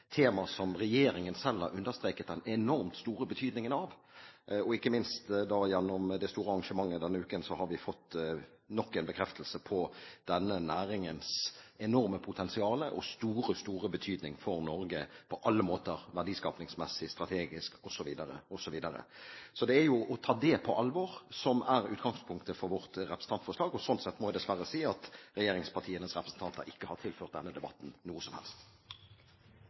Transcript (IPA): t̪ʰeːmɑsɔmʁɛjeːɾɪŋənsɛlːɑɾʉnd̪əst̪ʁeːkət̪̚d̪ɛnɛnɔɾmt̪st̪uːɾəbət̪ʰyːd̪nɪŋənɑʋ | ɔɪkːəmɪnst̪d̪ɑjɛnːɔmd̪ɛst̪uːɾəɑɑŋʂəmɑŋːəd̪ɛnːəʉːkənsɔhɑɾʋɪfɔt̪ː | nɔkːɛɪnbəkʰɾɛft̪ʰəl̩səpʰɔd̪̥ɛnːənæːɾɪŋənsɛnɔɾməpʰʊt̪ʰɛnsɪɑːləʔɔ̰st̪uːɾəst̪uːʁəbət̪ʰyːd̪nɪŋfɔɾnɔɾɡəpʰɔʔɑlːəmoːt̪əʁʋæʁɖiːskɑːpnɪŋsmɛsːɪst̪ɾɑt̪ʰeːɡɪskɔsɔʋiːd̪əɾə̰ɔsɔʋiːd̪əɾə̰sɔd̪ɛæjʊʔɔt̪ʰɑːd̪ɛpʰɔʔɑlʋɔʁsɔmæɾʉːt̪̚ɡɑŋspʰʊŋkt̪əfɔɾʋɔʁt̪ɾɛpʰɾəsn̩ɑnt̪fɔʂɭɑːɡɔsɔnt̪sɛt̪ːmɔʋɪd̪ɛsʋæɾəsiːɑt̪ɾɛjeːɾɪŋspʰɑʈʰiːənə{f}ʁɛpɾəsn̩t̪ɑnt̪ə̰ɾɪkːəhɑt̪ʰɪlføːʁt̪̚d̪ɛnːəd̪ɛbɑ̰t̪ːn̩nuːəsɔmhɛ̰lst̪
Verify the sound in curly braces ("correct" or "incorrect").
incorrect